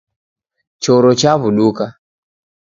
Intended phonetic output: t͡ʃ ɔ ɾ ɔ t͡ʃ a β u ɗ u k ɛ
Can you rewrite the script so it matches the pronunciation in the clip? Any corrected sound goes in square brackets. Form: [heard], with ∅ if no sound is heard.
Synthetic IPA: t͡ʃ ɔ ɾ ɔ t͡ʃ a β u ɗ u k [a]

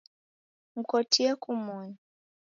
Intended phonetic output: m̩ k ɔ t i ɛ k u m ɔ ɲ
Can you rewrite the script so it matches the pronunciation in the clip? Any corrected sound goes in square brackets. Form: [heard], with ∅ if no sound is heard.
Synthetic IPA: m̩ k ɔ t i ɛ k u m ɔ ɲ

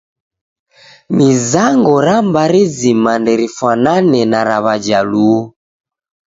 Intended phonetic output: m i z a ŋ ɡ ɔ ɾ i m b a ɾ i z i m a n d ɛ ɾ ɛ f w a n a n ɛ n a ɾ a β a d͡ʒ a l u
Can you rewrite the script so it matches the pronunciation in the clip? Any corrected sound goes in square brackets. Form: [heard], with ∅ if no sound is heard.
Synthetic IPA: m i z a ŋ ɡ ɔ ɾ [a] m b a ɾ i z i m a n d ɛ ɾ [i] f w a n a n ɛ n a ɾ a β a d͡ʒ a l u

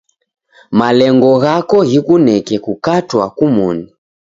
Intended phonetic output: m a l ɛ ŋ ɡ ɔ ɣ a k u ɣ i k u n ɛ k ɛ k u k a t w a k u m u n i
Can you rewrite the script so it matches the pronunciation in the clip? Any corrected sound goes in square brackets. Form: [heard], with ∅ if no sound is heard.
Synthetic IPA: m a l ɛ ŋ ɡ ɔ ɣ a k [ɔ] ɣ i k u n ɛ k ɛ k u k a t w a k u m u n i

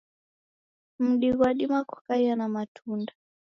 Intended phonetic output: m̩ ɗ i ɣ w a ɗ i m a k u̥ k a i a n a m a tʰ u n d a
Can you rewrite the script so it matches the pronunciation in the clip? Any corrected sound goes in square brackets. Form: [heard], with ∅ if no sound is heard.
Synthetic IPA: m̩ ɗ i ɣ w a ɗ i m a k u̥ k a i a n a m a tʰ u n d a

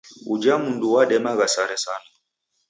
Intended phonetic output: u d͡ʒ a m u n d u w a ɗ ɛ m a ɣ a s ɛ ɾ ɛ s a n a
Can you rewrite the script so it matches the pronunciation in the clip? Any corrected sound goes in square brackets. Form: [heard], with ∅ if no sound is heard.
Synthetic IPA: u d͡ʒ a m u n d u w a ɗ ɛ m a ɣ a s [a] ɾ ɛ s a n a

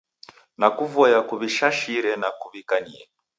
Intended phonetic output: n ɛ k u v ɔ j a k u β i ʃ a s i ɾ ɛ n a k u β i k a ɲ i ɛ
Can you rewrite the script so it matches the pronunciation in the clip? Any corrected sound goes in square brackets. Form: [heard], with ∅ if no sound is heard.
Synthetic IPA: n [a] k u v ɔ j a k u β i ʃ a [ʃ] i ɾ ɛ n a k u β i k a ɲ i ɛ

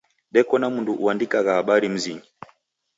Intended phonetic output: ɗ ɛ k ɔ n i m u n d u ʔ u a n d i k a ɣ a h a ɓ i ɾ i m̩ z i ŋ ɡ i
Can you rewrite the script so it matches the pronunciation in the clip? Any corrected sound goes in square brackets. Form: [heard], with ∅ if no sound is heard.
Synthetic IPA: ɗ ɛ k ɔ n [a] m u n d u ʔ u a n d i k a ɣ a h a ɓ [a] ɾ i m̩ z i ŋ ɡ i

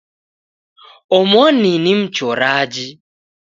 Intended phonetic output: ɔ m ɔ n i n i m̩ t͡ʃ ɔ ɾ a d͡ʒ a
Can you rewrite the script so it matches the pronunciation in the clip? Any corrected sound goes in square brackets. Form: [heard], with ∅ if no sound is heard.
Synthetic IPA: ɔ m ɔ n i n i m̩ t͡ʃ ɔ ɾ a d͡ʒ [i]

